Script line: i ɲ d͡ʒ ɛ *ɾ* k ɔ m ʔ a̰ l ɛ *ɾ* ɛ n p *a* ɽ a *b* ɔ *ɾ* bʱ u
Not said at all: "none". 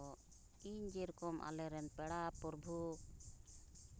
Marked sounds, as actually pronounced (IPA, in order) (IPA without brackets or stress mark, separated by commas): ɾ, ɾ, ɛ, p, ɾ